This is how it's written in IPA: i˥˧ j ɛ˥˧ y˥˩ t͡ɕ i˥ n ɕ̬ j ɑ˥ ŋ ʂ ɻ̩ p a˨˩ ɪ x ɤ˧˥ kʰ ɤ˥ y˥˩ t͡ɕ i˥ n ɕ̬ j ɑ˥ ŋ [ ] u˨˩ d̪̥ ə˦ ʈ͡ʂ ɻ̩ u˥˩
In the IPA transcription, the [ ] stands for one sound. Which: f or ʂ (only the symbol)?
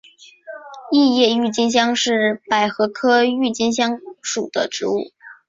ʂ